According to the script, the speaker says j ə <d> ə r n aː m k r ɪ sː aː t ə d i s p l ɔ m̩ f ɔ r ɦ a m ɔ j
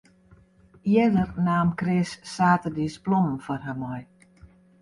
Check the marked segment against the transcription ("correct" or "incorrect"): correct